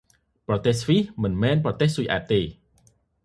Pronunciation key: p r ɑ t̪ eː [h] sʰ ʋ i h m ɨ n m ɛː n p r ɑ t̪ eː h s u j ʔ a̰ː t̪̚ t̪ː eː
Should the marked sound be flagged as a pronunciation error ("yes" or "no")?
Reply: no